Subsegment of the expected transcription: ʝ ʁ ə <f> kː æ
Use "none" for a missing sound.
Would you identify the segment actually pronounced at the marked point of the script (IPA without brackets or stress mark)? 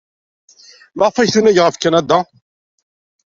f